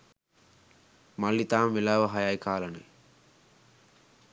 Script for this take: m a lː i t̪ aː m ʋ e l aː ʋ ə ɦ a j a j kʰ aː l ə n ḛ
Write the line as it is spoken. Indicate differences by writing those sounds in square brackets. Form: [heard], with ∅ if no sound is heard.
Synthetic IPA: m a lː i t̪ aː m ʋ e l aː ʋ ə ɦ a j a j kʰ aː l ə n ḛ